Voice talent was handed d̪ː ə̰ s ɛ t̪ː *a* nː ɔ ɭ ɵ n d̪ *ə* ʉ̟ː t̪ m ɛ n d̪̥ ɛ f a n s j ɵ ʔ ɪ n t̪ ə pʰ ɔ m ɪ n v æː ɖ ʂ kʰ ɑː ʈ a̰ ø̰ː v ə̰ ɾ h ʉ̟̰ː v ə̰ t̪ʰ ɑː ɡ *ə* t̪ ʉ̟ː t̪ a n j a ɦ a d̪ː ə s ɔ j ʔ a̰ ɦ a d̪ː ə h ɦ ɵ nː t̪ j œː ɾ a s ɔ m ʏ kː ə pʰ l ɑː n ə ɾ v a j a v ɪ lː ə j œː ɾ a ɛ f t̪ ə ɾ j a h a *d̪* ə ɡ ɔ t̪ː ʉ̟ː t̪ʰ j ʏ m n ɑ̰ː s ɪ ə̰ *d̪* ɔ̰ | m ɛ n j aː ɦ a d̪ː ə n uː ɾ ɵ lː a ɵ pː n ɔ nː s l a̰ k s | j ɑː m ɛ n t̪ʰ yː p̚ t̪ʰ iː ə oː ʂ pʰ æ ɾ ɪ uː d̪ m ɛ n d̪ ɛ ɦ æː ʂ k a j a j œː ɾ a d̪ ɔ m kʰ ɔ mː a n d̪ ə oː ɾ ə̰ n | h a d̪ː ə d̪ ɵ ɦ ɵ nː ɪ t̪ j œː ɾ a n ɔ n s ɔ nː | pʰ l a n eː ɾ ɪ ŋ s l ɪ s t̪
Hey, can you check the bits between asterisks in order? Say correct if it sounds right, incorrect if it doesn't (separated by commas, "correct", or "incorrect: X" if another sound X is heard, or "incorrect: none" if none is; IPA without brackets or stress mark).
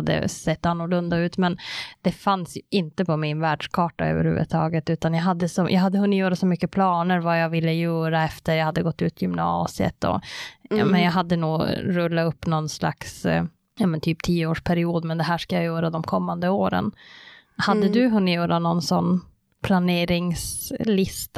correct, incorrect: a, correct, incorrect: d̪ː, incorrect: t̪